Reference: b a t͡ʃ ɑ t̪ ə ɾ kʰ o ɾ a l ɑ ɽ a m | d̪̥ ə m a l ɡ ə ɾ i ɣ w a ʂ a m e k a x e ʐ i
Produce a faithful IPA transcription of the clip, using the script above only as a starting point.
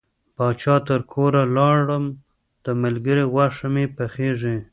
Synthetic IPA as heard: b ɑ t͡ʃ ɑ t̪ ə ɾ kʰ o ɾ a l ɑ ɽ ə m | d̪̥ ə m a l ɡ ə ɾ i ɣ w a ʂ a m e p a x e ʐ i